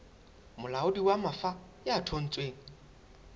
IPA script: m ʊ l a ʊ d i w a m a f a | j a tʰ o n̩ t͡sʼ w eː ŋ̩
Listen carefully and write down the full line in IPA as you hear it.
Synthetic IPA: m ʊ l a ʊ d i w a m a f a | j a tʰ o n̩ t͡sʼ w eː ŋ̩